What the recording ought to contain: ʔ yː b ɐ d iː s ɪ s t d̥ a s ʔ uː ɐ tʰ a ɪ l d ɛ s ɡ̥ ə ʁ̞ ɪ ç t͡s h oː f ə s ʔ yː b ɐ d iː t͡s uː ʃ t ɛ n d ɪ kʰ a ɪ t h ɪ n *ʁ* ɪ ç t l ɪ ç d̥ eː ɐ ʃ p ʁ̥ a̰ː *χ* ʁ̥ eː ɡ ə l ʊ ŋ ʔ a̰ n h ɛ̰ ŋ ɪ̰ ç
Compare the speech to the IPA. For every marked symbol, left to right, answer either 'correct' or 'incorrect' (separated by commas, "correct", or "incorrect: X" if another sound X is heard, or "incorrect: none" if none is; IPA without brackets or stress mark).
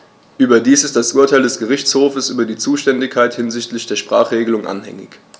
incorrect: z, correct